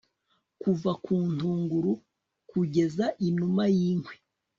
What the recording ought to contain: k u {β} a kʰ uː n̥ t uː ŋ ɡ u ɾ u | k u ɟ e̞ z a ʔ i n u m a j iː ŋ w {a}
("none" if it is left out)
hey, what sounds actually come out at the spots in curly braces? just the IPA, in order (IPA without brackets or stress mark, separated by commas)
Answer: v, e